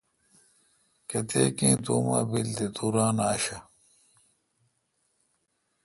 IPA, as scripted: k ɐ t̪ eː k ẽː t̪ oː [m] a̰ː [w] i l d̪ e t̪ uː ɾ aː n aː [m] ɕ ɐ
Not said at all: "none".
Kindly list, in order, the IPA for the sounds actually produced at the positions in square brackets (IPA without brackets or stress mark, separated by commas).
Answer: m, b, none